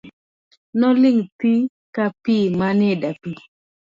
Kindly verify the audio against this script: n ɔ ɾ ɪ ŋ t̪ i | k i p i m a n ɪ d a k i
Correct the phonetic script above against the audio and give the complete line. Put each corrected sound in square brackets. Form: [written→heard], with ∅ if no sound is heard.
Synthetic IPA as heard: n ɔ [ɾ→l] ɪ ŋ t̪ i | k [i→a] p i m a n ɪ d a [k→p] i